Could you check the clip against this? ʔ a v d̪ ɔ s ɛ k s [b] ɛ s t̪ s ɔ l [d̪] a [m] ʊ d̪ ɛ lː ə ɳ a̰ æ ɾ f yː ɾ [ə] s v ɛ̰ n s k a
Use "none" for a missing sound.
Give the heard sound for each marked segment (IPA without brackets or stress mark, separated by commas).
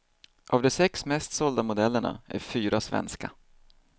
m, d̪, m, a